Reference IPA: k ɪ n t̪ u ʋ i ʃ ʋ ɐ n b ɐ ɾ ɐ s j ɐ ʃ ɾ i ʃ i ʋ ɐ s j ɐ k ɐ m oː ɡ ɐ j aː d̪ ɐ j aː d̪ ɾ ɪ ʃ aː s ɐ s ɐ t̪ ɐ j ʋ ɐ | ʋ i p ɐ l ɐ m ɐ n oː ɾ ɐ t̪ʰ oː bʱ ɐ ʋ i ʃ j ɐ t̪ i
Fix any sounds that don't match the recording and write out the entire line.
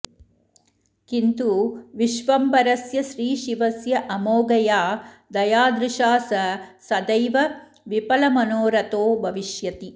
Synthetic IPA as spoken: k i n t̪ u ʋ i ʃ ʋ ɐ m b ɐ ɾ ɐ s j ɐ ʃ ɾ iː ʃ i ʋ ɐ s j ɐ ʔ ɐ m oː ɡ ɐ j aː d̪ ɐ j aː d̪ ɾ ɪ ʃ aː s ɐ s ɐ d̪ ɐ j ʋ ɐ | ʋ i p ɐ l ɐ m ɐ n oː ɾ ɐ t̪ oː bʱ ɐ ʋ i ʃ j ɐ t̪ i